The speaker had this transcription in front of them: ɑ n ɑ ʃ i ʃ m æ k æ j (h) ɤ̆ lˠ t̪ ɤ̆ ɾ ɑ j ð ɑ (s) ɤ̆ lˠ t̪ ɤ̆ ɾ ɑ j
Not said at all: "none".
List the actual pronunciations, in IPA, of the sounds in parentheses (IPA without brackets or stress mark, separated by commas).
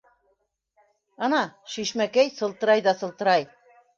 s, s